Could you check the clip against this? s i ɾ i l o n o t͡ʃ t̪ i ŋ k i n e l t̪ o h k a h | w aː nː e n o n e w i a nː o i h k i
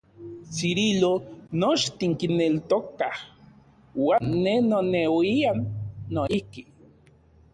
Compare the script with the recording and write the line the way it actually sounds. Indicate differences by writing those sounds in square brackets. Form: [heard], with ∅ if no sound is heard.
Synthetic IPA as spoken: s i ɾ i l o n o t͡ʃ t̪ i ŋ k i n e l t̪ o [∅] k a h | w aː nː e n o n e w i a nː o i h k i